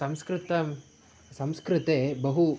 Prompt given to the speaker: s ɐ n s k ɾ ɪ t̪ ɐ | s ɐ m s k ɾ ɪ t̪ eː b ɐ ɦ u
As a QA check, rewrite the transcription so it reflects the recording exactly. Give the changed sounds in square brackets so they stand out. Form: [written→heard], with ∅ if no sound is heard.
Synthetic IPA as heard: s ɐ [n→m] s k ɾ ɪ t̪ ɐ | s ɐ m s k ɾ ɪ t̪ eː b ɐ ɦ u